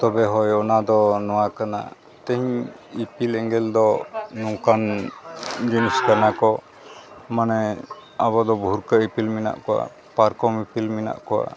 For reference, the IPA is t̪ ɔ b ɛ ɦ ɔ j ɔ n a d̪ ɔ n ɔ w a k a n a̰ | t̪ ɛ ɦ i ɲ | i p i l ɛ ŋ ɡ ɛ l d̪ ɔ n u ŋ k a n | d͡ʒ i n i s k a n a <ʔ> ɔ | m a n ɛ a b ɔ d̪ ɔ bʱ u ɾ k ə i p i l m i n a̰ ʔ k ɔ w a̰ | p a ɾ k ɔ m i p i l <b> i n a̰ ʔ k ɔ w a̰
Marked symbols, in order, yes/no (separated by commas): no, no